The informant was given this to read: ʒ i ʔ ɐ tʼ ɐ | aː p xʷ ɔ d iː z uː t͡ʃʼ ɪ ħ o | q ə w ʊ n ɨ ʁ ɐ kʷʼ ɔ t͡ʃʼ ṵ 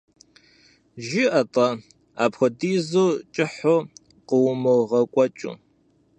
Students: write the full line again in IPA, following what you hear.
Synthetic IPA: ʒ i ʔ ɐ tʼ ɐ | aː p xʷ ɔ d iː z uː t͡ʃʼ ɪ ħ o | q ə w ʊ m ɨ ʁ ɐ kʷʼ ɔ t͡ʃʼ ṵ

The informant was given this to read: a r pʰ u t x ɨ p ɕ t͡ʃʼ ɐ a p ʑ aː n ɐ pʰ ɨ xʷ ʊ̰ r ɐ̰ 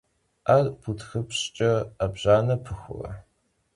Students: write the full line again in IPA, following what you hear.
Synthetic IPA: a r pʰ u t x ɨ p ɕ t͡ʃʼ ɐ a b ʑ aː n ɐ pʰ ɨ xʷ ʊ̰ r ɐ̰

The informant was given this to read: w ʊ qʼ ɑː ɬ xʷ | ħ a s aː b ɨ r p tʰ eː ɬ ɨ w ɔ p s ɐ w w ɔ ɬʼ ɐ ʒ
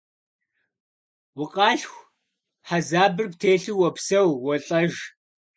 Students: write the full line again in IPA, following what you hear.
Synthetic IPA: w ʊ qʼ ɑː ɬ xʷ | ħ a z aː b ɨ r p tʰ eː ɬ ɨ w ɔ p s ɐ w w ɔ ɬʼ ɐ ʒ

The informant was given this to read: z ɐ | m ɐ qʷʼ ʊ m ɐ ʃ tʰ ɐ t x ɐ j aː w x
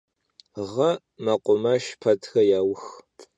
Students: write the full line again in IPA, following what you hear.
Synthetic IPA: ʁ ɐ | m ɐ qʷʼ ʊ m ɐ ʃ pʰ ɐ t x ɐ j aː w x

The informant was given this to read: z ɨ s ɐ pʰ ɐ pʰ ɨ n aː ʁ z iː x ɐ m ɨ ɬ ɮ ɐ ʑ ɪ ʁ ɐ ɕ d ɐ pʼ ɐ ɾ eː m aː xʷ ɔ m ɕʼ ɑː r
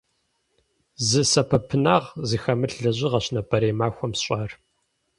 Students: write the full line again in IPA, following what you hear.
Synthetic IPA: z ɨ s ɐ pʰ ɐ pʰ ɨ n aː ʁ z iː x ɐ m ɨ ɬ ɮ ɐ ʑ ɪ ʁ ɐ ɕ n ɐ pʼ ɐ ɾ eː m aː xʷ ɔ m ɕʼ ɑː r

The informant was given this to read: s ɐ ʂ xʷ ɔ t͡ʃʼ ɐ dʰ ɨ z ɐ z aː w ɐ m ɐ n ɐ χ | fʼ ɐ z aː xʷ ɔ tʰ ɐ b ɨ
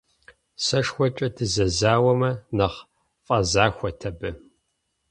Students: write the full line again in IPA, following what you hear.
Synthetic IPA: s ɐ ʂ xʷ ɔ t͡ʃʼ ɐ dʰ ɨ z ɐ z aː w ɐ m ɐ n ɐ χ | fʼ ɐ z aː xʷ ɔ tʰ ɐ b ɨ

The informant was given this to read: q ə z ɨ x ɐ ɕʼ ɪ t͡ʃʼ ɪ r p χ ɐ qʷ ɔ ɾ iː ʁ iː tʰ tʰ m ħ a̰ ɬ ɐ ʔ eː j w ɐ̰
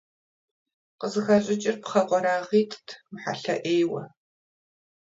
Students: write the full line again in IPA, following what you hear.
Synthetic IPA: q ə z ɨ x ɐ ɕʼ ɪ t͡ʃʼ ɪ r p χ ɐ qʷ ɔ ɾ aː ʁ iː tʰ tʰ m ħ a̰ ɬ ɐ ʔ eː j w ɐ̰

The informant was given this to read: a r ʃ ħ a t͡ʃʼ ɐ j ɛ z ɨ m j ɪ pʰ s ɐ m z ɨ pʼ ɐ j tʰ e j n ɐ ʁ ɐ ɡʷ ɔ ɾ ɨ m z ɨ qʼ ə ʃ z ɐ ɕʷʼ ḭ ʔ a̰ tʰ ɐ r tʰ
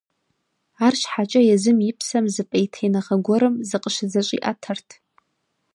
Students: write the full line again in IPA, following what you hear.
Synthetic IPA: a r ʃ ħ a t͡ʃʼ ɐ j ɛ z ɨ m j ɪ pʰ s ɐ m z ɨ pʼ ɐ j tʰ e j n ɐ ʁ ɐ ɡʷ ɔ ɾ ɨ m z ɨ qʼ ə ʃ z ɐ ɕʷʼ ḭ ʔ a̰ tʰ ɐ r tʰ

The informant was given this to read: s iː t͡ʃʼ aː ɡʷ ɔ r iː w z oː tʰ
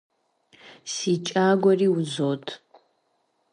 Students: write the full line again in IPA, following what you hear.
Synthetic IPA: s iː t͡ʃʼ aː ɡʷ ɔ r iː w z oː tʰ

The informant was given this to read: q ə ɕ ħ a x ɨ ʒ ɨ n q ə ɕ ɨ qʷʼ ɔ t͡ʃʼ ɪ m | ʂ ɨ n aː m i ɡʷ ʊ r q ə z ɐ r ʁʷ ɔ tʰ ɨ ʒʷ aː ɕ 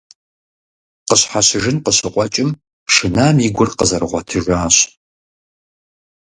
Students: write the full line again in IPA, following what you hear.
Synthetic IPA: q ə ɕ ħ a ɕ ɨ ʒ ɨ n q ə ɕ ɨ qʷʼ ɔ t͡ʃʼ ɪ m | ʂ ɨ n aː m i ɡʷ ʊ r q ə z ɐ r ʁʷ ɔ tʰ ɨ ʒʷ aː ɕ

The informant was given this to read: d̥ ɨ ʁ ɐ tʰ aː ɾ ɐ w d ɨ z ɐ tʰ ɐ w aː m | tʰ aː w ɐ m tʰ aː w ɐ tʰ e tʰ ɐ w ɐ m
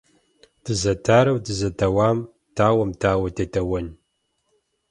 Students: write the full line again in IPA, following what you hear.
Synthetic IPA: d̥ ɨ z ɐ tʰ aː ɾ ɐ w d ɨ z ɐ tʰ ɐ w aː m | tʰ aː w ɐ m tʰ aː w ɐ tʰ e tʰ ɐ w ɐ n

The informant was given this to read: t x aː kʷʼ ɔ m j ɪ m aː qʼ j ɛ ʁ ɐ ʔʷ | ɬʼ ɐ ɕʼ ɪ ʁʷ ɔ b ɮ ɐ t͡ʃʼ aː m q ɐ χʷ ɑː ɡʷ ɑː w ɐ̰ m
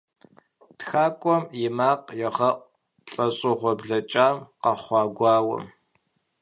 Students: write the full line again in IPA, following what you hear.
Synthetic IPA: t x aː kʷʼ ɔ m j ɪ m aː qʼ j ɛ ʁ ɐ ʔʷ | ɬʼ ɐ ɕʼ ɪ ʁʷ ɔ b ɮ ɐ t͡ʃʼ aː m q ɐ χʷ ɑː ɡʷ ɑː w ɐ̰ m

